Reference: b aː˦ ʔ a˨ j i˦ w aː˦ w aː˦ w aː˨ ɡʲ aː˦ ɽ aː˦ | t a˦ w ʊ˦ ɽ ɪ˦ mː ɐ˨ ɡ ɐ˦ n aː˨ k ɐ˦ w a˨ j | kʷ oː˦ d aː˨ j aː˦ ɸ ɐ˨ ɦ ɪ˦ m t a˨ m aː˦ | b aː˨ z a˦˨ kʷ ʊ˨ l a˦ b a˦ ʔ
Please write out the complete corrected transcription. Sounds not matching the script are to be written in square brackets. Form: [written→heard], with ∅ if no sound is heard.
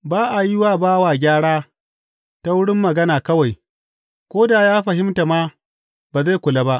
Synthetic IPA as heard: b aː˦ ʔ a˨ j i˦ w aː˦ [w→b] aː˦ w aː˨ ɡʲ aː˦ ɽ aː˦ | t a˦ w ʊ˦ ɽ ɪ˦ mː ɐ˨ ɡ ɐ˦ n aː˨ k ɐ˦ w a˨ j | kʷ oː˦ d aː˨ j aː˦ ɸ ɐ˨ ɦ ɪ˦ m t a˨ m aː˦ | b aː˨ z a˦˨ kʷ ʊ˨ l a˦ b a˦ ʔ